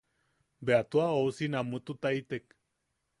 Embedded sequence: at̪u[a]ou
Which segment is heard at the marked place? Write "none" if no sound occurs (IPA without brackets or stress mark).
a